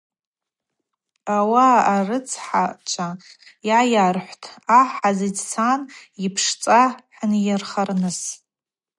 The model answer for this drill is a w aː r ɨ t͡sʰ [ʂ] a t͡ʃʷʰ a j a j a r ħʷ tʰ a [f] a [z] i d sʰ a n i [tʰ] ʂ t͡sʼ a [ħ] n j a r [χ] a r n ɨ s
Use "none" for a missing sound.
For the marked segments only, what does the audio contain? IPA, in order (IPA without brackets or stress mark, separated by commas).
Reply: ħ, ħ, z, pʰ, ħ, χ